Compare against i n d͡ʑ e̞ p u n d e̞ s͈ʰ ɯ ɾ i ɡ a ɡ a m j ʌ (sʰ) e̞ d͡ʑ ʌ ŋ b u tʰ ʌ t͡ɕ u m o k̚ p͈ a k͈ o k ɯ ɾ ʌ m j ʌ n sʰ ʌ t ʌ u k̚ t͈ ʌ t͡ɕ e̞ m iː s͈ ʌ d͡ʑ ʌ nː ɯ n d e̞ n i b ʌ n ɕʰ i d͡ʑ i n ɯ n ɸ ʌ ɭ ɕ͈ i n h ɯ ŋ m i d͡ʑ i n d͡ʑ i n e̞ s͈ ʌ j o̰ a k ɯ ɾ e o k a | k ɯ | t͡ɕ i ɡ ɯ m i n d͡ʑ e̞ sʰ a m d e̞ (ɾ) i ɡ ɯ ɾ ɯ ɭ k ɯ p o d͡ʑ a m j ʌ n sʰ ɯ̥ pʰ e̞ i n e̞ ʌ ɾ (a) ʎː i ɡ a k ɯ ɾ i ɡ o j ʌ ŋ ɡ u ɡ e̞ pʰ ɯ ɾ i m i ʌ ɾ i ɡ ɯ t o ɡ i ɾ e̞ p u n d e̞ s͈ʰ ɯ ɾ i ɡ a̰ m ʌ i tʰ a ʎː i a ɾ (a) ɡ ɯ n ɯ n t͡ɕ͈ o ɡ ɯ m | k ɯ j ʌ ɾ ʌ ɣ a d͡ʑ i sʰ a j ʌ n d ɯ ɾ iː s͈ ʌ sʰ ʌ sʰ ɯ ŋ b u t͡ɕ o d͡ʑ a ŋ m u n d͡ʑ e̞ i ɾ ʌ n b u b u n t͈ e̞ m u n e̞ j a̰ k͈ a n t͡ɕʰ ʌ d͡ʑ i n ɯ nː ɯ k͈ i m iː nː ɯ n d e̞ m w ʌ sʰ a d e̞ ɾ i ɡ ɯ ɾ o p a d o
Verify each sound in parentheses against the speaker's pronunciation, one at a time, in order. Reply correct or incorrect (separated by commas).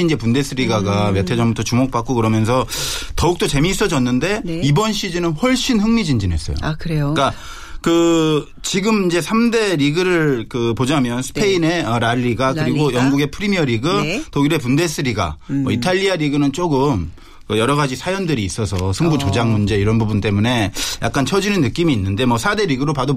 incorrect, correct, correct, incorrect